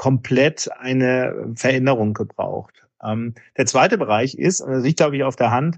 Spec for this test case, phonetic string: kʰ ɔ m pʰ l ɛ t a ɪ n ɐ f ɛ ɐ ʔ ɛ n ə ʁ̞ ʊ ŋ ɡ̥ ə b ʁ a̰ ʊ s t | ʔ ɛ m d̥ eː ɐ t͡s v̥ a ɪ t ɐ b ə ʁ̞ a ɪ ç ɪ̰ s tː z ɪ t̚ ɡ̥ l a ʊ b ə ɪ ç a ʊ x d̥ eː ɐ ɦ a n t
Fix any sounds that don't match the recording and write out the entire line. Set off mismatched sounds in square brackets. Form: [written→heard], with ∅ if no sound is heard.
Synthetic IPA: kʰ ɔ m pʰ l ɛ t a ɪ n [ɐ→ə] f ɛ ɐ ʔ ɛ n ə ʁ̞ ʊ ŋ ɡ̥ ə b ʁ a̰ ʊ [s→x] t | ʔ ɛ m d̥ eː ɐ t͡s v̥ a ɪ t [ɐ→ə] b ə ʁ̞ a ɪ ç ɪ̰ s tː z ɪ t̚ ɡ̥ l a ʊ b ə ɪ ç a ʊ [x→f] d̥ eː ɐ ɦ a n t